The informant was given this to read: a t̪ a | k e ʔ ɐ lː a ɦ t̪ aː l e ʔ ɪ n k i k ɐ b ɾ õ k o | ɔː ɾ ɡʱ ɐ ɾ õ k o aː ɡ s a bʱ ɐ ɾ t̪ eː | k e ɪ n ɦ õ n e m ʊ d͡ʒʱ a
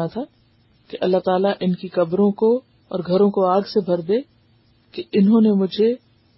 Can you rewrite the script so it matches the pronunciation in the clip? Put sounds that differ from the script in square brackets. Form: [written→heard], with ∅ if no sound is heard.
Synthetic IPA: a [t̪→t̪ʰ] a | k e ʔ ɐ lː a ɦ t̪ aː l [e→a] ʔ ɪ n k i k ɐ b ɾ õ k o | ɔː ɾ ɡʱ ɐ ɾ õ k o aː ɡ s [a→e] bʱ ɐ ɾ [t̪→d̪] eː | k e ɪ n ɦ õ n e m ʊ d͡ʒʱ [a→e]